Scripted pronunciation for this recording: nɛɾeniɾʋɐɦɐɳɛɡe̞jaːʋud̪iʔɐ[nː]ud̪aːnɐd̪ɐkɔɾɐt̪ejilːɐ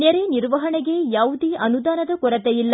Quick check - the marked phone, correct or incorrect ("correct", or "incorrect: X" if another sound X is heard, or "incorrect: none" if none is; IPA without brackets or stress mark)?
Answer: incorrect: n